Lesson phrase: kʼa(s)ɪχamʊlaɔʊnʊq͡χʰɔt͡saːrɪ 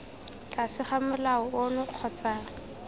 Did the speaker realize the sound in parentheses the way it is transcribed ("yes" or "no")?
yes